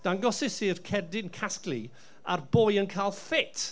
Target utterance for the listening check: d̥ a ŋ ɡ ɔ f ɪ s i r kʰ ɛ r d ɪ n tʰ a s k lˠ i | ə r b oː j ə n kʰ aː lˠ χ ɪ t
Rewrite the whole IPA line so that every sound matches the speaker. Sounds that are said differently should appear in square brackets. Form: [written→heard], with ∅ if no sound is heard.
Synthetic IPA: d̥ a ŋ ɡ ɔ [f→s] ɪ s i r kʰ ɛ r d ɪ n [tʰ→kʰ] a s k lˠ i | [ə→a] r b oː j ə n kʰ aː lˠ [χ→f] ɪ t